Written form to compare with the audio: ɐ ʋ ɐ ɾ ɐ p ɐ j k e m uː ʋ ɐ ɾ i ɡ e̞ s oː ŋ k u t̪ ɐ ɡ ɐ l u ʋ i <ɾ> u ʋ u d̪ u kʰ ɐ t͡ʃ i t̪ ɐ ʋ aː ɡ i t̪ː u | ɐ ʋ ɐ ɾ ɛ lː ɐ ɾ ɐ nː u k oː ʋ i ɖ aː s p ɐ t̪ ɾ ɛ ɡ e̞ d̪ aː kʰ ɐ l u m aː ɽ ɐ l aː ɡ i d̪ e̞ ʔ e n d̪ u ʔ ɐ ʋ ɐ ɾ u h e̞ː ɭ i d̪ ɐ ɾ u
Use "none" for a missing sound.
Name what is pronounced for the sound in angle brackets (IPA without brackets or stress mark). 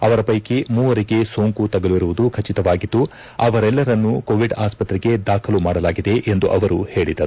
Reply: ɾ